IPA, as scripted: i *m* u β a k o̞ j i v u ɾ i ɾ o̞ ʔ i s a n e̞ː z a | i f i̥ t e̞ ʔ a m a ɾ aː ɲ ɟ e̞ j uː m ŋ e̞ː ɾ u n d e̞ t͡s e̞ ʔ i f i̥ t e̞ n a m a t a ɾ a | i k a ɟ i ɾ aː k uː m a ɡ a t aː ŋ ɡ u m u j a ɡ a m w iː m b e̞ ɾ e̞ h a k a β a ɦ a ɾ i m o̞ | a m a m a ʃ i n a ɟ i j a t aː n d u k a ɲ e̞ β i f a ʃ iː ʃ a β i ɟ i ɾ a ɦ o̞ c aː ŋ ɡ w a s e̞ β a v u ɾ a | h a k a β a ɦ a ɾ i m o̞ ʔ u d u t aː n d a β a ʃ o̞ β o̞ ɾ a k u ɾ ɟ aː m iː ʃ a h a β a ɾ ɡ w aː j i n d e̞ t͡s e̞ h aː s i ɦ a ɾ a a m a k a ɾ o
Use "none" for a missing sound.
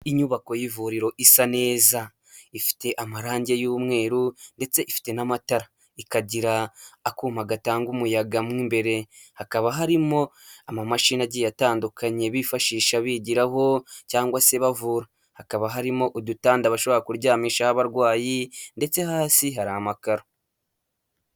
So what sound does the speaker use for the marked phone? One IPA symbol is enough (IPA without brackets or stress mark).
ɲ